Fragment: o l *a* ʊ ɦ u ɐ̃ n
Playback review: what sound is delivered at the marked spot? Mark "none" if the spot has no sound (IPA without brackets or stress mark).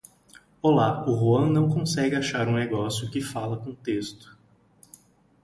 a